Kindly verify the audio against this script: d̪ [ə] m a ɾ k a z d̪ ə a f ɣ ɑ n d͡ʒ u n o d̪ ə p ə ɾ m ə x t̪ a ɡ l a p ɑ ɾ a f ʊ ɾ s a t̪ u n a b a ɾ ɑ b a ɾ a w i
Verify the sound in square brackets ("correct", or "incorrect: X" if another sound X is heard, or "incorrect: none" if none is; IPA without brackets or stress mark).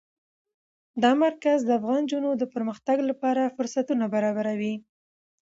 incorrect: ɑ